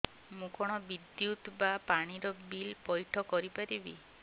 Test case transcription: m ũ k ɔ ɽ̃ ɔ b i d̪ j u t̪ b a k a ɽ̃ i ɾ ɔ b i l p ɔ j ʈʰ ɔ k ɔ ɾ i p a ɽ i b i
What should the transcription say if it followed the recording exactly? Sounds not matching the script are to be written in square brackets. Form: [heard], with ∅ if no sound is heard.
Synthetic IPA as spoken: m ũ k ɔ ɽ̃ ɔ b i d̪ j u t̪ b a [p] a ɽ̃ i ɾ ɔ b i l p ɔ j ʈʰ ɔ k ɔ ɾ i p a [ɾ] i b i